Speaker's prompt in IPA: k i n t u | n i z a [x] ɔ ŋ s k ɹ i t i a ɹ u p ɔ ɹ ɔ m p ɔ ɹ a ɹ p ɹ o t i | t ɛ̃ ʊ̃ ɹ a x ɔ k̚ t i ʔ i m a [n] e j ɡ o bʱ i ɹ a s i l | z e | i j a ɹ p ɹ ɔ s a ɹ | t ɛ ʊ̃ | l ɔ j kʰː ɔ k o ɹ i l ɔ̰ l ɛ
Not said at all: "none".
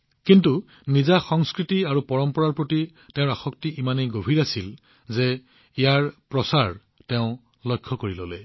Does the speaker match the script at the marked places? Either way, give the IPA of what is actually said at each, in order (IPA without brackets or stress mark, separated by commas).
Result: x, n